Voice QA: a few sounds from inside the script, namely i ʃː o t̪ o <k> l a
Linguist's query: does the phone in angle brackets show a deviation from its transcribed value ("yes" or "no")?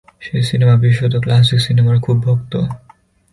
no